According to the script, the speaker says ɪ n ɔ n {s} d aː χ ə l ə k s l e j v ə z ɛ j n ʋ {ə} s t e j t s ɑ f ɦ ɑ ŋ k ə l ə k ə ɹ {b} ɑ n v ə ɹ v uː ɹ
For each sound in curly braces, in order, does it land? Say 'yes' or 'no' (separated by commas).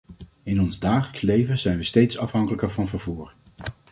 no, yes, no